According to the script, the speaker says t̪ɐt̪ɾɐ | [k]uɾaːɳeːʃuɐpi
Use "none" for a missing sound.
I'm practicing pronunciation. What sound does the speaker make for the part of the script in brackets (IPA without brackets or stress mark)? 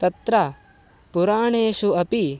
p